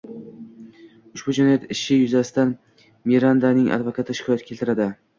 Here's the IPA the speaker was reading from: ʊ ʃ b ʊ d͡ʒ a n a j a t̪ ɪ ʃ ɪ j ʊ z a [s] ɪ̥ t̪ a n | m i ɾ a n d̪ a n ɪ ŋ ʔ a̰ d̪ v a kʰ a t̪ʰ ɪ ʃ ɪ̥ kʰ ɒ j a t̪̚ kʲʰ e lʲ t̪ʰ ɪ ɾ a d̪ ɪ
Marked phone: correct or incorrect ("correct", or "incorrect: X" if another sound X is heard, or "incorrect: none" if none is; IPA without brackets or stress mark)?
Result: correct